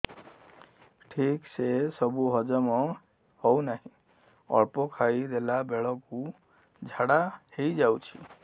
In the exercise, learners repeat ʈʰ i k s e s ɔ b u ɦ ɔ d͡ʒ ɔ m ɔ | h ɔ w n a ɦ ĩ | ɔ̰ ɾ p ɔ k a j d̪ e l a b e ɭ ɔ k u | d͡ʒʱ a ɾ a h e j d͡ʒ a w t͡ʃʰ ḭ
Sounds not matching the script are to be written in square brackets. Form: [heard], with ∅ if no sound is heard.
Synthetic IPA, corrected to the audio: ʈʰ i k s e s ɔ b u ɦ ɔ d͡ʒ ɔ m ɔ | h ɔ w n a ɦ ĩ | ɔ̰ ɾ p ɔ [kʰ] a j d̪ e l a b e ɭ ɔ k u | d͡ʒʱ a [ɽ] a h e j d͡ʒ a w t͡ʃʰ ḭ

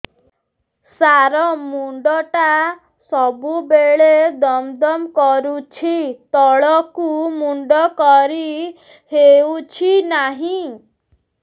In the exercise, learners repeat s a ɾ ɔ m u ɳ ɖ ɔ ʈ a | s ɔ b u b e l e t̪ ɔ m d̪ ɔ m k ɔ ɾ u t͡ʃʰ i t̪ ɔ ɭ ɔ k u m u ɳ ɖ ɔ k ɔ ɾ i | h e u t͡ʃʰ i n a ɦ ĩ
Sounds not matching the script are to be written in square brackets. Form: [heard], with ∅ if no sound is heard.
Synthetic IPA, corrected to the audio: s a ɾ ɔ m u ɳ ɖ ɔ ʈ a | s ɔ b u b e [ɭ] e [d̪] ɔ m d̪ ɔ m k ɔ ɾ u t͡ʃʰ i t̪ ɔ ɭ ɔ k u m u ɳ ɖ ɔ k ɔ ɾ i | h e u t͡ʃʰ i n a ɦ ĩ

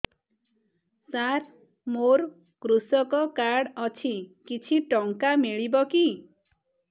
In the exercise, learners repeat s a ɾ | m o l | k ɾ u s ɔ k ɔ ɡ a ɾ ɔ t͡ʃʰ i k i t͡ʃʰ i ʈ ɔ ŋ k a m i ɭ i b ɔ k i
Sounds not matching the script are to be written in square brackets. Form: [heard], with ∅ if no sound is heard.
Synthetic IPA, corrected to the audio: s a ɾ | m o [ɾ] | k ɾ u s ɔ k ɔ [k] a [ɽ] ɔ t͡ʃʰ i k i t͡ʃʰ i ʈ ɔ ŋ k a m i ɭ i b ɔ k i

